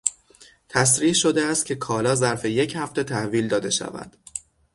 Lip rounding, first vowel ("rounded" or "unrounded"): unrounded